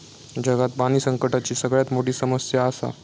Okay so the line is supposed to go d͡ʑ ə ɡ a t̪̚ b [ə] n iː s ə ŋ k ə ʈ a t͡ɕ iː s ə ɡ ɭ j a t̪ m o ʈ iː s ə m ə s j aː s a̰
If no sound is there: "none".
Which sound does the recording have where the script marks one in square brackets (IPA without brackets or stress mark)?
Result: a